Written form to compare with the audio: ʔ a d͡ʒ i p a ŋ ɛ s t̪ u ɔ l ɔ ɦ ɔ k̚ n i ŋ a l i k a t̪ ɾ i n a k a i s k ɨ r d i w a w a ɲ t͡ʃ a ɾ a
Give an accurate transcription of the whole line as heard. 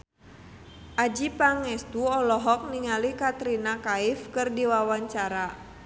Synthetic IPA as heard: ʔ a d͡ʒ i p a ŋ ɛ s t̪ u ɔ l ɔ ɦ ɔ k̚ n i ŋ a l i k a t̪ ɾ i n a k a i f k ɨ r d i w a w a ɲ t͡ʃ a ɾ a